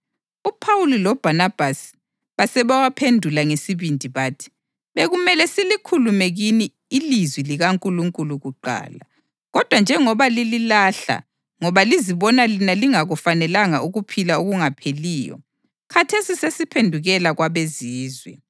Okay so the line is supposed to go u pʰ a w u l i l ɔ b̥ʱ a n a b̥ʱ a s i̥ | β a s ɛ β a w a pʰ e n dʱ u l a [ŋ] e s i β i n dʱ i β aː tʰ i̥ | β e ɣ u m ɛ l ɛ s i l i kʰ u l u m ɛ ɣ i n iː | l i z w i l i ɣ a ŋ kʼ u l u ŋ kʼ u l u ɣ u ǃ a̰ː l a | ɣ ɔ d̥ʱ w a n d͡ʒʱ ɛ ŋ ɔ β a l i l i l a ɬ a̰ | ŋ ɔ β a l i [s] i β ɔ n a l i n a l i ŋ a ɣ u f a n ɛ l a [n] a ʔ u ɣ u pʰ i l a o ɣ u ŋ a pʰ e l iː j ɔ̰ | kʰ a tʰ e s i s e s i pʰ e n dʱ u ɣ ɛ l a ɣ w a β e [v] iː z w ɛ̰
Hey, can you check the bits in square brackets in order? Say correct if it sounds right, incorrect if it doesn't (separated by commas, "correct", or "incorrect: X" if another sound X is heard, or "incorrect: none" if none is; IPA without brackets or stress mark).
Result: correct, incorrect: z, incorrect: ŋ, incorrect: z